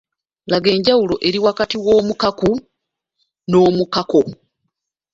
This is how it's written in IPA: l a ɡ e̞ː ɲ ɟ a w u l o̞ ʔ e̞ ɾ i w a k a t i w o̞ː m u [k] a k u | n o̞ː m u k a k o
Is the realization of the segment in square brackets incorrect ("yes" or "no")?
no